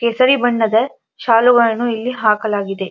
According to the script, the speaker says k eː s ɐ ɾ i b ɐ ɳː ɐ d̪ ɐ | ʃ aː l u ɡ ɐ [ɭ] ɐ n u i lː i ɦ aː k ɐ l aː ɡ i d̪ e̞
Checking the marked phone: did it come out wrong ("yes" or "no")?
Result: no